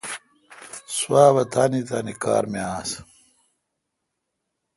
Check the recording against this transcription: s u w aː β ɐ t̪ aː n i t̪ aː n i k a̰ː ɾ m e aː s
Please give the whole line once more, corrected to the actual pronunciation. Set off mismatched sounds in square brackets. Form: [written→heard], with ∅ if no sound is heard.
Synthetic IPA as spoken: s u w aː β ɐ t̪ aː n i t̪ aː n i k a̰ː ɾ m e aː s